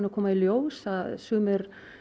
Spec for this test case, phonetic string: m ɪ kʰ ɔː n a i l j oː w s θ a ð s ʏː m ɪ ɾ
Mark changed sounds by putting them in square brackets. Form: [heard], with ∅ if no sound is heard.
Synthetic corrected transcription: [n] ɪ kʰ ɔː [m] a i l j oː w s θ a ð s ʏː m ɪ ɾ

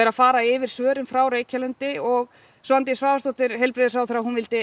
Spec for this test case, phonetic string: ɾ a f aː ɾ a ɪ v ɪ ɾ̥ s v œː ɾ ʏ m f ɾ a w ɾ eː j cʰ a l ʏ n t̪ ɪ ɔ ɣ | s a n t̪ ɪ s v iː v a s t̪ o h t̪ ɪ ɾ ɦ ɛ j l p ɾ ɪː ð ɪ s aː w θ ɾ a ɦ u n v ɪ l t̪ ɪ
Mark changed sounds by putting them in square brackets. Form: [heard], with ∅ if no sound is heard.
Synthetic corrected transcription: ɾ a f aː ɾ a ɪ v ɪ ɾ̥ s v œː ɾ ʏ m f ɾ a w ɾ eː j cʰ a l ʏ n t̪ ɪ ɔ ɣ | s a n t̪ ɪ s v [aː] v a s t̪ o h t̪ ɪ ɾ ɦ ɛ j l p ɾ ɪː ð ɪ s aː w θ ɾ a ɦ u n v ɪ l t̪ ɪ

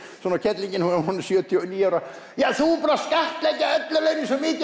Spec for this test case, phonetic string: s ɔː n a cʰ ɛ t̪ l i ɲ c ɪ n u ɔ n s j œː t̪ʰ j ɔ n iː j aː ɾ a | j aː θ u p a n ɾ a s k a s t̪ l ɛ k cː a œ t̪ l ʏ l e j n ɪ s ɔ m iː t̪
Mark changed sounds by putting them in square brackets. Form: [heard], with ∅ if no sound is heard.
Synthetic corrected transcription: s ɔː n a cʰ ɛ t̪ l i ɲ c ɪ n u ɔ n s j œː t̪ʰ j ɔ n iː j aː ɾ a | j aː θ u p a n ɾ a s k a [h] t̪ l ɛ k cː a œ t̪ l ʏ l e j n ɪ s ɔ m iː t̪

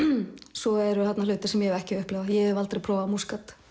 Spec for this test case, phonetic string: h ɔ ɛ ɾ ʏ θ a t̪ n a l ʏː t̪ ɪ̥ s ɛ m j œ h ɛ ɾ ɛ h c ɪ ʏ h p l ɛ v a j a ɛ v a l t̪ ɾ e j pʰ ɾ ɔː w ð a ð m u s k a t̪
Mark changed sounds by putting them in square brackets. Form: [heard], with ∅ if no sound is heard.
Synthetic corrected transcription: [s] ɔ ɛ ɾ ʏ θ a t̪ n a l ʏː t̪ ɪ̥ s ɛ m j [ɛ] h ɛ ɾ ɛ h c ɪ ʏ h p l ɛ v a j [ɛ] ɛ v a l t̪ ɾ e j pʰ ɾ ɔː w [v] a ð m u s k a t̪

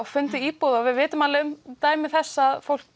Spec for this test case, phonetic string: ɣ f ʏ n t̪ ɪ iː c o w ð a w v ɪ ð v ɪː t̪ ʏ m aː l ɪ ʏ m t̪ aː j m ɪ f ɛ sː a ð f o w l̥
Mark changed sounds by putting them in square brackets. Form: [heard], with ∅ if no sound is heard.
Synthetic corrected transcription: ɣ f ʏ n t̪ ɪ iː [p] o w ð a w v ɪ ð v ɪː t̪ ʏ m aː l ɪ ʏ m t̪ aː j m ɪ [θ] ɛ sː a ð f o w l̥

